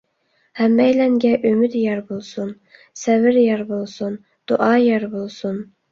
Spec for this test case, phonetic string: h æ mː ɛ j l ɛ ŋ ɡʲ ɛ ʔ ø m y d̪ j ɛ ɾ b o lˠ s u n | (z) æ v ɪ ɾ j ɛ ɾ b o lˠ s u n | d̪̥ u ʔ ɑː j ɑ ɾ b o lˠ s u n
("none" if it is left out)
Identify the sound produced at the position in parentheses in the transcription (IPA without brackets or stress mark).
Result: s